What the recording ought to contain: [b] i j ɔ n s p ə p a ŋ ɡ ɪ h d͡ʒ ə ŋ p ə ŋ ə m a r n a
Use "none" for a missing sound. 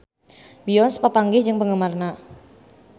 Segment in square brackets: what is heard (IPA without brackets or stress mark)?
b